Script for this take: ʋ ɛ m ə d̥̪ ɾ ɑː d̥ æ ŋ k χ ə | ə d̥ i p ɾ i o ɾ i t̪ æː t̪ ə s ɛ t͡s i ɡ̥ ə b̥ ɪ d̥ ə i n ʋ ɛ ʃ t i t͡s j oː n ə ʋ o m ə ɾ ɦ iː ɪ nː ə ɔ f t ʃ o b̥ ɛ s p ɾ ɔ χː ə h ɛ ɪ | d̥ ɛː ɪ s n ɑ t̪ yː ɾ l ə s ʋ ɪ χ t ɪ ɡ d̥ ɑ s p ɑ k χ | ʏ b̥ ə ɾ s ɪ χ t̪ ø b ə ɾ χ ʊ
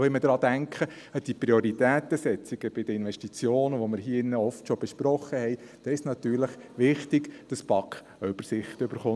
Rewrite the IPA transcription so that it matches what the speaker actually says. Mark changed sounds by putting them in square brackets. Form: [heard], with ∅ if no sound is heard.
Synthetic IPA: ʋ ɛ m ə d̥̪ ɾ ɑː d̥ æ ŋ k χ ə | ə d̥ i p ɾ i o ɾ i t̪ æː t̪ ə s ɛ t͡s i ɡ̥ ə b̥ ɪ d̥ ə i n ʋ ɛ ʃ t i t͡s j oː n ə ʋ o m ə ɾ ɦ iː ɪ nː ə ɔ f t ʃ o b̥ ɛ [ʃ] p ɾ ɔ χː ə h ɛ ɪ | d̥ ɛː ɪ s n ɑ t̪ yː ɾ l ə [χ] ʋ ɪ χ t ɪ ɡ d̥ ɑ s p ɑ k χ | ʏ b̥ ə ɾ s ɪ χ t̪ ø b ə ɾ χ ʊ